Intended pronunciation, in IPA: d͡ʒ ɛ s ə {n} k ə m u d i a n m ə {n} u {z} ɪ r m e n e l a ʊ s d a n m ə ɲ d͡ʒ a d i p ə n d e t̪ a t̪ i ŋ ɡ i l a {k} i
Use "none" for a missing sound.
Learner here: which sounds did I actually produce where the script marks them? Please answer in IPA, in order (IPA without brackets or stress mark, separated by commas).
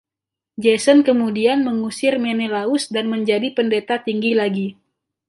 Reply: n, ŋ, s, ɡ